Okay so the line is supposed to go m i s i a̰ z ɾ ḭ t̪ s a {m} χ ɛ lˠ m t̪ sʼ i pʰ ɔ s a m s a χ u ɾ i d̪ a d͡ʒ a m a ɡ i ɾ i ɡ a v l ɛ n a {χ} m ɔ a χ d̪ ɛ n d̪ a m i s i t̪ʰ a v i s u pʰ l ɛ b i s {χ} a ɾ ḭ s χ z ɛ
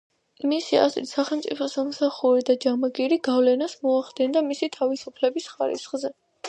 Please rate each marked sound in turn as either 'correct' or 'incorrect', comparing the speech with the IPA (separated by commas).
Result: incorrect, incorrect, correct